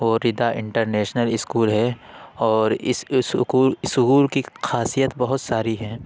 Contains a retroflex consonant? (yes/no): yes